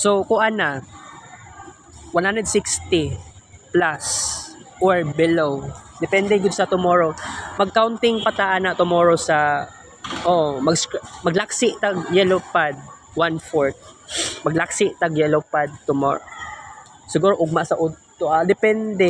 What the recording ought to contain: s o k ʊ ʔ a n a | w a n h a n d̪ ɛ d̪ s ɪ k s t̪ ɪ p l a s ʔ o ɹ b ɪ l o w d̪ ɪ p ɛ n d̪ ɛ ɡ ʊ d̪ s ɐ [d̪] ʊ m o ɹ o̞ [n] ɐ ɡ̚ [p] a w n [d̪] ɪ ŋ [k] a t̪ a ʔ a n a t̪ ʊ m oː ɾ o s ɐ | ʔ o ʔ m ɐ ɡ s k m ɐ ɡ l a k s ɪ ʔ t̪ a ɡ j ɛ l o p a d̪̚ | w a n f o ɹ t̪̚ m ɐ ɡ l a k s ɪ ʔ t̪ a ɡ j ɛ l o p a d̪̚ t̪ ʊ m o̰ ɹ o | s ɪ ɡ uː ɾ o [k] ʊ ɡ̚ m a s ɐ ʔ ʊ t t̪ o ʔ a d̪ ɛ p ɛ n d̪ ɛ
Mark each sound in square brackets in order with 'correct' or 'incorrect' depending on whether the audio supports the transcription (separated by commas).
incorrect, incorrect, incorrect, incorrect, incorrect, incorrect